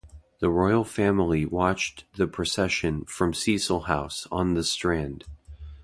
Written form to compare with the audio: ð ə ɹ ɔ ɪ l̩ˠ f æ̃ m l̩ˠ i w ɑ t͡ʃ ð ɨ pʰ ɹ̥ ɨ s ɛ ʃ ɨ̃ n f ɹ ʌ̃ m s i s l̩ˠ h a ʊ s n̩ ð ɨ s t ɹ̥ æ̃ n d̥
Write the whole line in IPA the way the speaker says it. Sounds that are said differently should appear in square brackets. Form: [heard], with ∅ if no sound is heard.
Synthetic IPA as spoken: ð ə ɹ ɔ ɪ l̩ˠ f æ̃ m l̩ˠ i w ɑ t͡ʃ ð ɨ pʰ ɹ̥ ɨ s ɛ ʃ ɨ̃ n f ɹ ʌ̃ m s i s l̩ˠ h a ʊ s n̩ ð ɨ s t ɹ̥ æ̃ n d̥